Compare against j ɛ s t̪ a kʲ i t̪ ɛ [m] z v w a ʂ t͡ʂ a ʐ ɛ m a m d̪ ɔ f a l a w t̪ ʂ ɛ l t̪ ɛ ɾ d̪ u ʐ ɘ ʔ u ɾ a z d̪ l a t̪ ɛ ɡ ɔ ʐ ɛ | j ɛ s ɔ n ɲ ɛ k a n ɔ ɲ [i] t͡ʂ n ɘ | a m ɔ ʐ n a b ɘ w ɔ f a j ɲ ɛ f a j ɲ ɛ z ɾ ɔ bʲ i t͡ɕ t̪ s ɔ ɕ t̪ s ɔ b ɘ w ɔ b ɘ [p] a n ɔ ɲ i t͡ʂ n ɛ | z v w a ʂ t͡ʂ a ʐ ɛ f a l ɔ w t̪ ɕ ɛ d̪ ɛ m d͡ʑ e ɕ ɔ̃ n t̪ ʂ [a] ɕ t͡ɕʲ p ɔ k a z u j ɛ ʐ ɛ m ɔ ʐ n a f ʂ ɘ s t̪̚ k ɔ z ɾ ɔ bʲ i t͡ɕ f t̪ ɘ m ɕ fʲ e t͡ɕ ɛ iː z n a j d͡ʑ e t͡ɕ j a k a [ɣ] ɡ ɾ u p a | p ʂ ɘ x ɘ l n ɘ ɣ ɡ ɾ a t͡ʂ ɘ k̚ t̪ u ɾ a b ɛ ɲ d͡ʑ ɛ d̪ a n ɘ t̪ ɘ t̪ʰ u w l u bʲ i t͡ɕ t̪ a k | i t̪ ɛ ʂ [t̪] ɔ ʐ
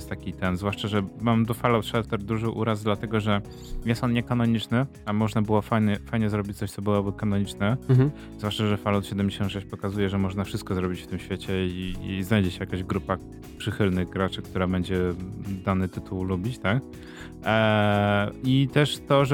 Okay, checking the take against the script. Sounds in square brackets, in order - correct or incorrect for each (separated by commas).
incorrect, correct, incorrect, incorrect, incorrect, correct